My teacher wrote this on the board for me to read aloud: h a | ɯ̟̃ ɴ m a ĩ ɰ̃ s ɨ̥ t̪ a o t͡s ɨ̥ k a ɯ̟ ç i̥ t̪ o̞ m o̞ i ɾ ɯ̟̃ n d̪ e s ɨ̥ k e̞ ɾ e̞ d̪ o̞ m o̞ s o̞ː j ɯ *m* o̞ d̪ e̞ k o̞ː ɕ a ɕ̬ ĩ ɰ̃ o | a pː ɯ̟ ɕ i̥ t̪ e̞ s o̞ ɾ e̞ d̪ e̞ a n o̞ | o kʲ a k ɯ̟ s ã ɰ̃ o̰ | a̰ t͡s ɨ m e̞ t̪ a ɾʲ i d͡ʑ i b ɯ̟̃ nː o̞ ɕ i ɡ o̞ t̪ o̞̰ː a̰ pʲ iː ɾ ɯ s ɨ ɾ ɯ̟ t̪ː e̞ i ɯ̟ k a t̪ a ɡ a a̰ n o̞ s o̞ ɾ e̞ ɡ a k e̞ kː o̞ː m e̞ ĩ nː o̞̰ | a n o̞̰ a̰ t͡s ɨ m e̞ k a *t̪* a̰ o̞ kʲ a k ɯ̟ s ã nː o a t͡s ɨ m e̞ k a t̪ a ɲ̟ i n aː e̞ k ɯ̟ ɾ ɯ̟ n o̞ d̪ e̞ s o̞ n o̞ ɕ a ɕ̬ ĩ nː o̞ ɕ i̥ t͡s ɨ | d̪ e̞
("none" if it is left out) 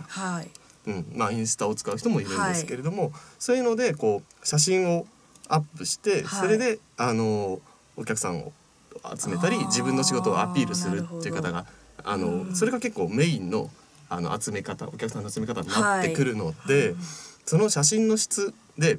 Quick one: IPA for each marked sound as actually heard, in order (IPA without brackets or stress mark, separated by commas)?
n, t̪